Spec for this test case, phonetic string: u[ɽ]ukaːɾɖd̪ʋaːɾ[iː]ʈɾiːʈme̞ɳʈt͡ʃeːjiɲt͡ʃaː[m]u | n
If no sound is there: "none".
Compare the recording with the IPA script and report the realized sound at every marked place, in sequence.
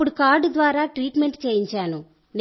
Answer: ɽ, aː, n

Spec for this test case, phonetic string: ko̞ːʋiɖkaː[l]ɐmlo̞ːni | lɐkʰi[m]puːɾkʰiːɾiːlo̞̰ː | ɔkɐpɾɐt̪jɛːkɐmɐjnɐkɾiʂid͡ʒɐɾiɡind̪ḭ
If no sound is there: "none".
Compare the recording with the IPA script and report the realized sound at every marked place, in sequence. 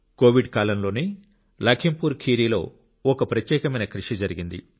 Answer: l, m

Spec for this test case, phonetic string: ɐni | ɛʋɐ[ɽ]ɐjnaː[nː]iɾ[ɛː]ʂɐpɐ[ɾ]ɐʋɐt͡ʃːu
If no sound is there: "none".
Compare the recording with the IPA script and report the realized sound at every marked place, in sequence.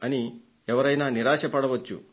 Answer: ɾ, n, aː, ɽ

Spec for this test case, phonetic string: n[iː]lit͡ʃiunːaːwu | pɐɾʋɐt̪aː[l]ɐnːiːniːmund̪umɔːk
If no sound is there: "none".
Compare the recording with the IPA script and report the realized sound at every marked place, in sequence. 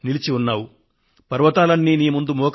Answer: i, l

